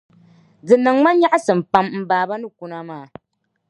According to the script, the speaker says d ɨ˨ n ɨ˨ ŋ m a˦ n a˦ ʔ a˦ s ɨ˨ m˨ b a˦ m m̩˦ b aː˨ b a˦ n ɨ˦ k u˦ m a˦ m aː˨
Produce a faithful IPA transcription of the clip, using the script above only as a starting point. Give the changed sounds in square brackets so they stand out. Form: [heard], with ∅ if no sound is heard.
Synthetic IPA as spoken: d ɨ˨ n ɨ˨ ŋ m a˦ [ɲ] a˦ ʔ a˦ s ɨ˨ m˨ [p] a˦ m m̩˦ b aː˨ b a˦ n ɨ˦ k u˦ [n] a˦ m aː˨